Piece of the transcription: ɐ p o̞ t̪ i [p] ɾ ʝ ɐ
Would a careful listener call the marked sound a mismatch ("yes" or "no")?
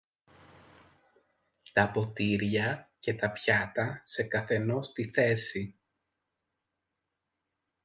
yes